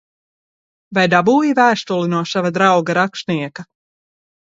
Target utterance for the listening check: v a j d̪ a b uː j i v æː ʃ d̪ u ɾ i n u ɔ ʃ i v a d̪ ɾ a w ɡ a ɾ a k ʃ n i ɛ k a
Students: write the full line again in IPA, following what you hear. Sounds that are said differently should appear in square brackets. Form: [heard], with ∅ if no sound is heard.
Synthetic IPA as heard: v a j d̪ a b uː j i v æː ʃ [t̪] u [l] i n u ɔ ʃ [a] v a d̪ ɾ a w ɡ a ɾ a k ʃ n i ɛ k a